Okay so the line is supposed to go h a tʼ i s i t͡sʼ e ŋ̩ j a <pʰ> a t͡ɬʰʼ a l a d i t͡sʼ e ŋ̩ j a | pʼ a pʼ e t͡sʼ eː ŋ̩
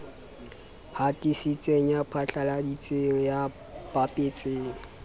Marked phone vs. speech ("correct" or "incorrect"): correct